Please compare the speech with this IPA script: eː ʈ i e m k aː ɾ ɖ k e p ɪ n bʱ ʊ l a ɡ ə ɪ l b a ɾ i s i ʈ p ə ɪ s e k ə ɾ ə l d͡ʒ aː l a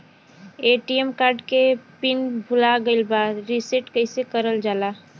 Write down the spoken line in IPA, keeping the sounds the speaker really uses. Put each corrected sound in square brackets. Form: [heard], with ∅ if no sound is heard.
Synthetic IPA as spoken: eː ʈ i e m k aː ɾ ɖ k e p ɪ n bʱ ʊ l a ɡ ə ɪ l b a ɾ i s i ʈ [k] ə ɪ s e k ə ɾ ə l d͡ʒ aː l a